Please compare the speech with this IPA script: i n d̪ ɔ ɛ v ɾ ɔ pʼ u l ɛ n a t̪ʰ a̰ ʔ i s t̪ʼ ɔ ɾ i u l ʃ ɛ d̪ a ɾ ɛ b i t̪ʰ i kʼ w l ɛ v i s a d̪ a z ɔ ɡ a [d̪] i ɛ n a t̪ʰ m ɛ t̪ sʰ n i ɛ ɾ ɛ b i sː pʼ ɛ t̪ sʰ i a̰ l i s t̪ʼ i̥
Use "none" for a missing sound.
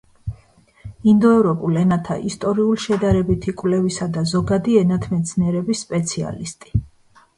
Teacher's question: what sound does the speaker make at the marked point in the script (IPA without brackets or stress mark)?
d̪